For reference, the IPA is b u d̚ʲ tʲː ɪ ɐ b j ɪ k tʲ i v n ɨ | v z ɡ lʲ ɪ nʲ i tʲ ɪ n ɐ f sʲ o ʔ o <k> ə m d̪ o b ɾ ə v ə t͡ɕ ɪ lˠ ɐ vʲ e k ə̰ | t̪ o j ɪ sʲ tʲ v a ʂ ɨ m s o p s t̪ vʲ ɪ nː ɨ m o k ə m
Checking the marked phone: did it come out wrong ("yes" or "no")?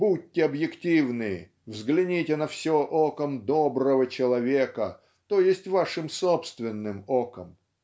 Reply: no